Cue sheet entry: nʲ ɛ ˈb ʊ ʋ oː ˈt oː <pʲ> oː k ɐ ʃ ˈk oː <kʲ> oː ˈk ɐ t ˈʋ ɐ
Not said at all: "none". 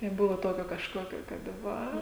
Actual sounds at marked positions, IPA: kʲ, kʲ

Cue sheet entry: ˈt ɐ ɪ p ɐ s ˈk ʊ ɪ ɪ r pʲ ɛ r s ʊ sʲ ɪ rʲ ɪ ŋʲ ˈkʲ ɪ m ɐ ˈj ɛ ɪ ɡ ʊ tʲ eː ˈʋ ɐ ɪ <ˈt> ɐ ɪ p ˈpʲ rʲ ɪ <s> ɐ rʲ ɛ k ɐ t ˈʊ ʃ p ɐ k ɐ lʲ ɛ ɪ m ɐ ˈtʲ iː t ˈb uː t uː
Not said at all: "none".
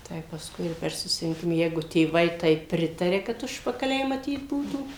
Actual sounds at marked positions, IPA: t, t

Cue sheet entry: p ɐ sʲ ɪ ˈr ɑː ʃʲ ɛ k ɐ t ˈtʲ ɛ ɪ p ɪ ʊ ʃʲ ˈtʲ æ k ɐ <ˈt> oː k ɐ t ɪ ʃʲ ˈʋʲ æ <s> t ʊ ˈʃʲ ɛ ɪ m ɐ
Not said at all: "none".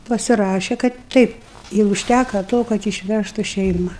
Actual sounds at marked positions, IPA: t, ʃ

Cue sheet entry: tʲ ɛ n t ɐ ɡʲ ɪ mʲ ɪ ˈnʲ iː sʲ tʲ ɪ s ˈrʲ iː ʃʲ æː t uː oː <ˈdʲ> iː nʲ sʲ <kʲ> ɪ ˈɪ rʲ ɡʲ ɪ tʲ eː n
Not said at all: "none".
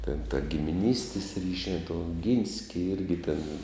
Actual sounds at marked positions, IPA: ɡʲ, kʲ

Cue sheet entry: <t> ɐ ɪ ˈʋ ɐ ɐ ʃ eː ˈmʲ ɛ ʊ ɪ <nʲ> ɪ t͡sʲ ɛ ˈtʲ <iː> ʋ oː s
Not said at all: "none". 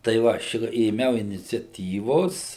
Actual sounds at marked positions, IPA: t, nʲ, iː

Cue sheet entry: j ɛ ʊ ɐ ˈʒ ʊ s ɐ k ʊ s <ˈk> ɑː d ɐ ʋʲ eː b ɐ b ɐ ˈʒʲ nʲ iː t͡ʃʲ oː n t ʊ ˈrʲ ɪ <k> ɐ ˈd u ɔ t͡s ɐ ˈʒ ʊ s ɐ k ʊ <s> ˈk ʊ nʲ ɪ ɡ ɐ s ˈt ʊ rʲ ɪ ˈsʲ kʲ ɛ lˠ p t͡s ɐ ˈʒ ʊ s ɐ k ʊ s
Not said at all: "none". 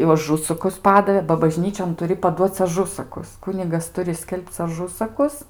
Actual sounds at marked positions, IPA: p, p, s

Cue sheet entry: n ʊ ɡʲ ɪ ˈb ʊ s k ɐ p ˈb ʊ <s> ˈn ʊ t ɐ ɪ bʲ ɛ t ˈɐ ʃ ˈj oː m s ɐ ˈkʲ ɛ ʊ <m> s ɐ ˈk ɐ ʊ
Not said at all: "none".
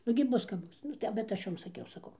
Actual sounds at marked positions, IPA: s, none

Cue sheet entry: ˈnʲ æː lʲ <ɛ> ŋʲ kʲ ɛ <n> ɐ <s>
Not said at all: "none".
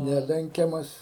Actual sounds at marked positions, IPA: ɛ, m, s

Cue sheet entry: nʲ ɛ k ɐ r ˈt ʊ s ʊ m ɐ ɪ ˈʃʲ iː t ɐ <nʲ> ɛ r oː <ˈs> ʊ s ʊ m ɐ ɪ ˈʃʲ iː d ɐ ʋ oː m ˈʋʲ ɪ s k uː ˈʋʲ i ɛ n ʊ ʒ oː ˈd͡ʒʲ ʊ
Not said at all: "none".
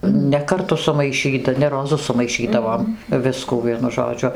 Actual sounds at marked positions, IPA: nʲ, z

